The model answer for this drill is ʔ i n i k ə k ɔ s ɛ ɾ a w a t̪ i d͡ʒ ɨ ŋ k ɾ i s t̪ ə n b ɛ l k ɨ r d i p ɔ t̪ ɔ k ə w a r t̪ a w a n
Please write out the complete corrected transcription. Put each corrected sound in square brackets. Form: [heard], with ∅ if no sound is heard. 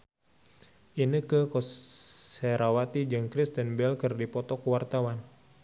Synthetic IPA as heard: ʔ i n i k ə k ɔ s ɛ ɾ a w a t̪ i d͡ʒ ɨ ŋ k ɾ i s t̪ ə n b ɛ l k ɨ r d i p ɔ t̪ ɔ k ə w a r t̪ a w a n